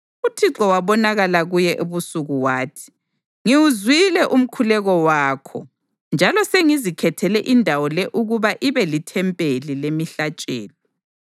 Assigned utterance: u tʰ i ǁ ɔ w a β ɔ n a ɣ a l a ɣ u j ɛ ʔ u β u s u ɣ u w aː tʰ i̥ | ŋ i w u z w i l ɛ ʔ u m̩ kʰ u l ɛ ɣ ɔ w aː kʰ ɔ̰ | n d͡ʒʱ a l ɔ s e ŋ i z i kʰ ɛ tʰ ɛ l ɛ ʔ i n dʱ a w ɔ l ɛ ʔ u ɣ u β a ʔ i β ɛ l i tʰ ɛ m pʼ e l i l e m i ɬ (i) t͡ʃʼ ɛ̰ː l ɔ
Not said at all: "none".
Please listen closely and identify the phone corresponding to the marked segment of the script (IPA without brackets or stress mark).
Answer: a